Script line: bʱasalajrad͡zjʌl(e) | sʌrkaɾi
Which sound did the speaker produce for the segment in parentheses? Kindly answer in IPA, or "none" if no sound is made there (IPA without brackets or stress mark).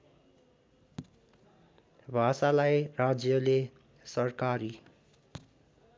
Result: e